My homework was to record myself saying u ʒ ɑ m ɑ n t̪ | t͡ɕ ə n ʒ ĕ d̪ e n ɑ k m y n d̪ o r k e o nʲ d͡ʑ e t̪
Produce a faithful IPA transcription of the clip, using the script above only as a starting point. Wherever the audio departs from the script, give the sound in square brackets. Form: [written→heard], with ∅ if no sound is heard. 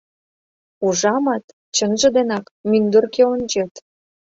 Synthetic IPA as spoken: u ʒ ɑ m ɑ [n→∅] t̪ | t͡ɕ ə n ʒ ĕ d̪ e n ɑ k m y n d̪ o r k e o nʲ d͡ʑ e t̪